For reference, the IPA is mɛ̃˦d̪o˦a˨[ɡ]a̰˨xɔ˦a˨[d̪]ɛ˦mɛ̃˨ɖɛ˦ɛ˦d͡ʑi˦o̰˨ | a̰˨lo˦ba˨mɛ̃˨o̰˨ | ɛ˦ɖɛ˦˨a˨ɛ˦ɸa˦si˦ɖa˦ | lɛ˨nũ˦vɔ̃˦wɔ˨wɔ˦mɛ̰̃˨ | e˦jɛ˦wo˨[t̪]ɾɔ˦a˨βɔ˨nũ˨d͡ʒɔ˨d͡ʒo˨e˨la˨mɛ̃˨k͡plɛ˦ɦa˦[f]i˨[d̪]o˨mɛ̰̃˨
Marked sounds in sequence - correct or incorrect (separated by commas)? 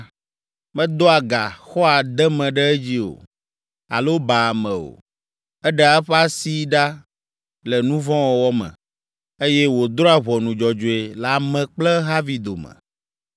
correct, correct, incorrect, incorrect, correct